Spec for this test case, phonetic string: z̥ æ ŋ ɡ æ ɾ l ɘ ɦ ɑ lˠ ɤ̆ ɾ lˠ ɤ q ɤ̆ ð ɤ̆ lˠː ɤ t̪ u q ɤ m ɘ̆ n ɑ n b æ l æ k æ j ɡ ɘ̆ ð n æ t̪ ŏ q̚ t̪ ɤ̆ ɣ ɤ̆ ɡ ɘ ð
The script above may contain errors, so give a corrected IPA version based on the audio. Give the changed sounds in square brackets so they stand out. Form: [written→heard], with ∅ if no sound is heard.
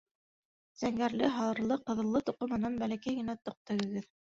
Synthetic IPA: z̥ æ ŋ ɡ æ ɾ l ɘ ɦ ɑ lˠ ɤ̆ ɾ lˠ ɤ q ɤ̆ ð ɤ̆ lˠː ɤ t̪ u q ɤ m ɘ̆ n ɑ n b æ l æ k æ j ɡ ɘ̆ [ð→∅] n æ t̪ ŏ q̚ t̪ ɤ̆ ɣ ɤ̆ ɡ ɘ ð